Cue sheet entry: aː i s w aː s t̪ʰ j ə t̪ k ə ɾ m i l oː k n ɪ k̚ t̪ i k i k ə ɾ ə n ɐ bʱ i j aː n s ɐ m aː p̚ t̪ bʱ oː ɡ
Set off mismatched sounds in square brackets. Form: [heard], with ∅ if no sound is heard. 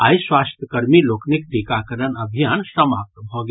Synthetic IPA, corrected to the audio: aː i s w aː s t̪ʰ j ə [∅] k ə ɾ m i l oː k n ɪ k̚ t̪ i k [a] k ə ɾ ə n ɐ bʱ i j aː n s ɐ m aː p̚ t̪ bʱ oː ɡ